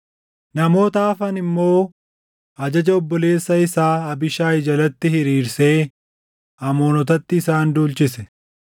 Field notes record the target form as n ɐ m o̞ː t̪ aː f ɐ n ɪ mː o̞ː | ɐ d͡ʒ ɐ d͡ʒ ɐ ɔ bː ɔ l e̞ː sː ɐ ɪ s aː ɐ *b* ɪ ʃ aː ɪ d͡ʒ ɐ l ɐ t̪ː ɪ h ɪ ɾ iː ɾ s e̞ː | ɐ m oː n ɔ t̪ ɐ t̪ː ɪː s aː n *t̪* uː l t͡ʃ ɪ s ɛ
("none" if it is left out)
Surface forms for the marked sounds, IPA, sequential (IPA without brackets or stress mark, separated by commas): b, d̪